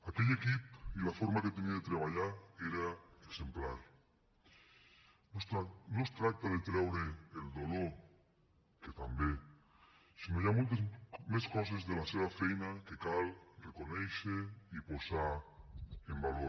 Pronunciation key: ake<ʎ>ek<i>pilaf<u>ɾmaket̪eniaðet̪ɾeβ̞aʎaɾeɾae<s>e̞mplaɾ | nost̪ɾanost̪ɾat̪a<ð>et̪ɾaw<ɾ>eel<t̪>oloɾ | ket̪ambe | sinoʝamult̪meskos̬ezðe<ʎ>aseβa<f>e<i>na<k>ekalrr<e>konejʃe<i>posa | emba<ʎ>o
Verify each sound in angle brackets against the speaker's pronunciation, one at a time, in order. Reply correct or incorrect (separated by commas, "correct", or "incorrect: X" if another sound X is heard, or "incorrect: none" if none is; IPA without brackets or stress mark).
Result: correct, correct, incorrect: o, correct, correct, correct, incorrect: d̪, incorrect: l, correct, incorrect: j, correct, correct, correct, incorrect: l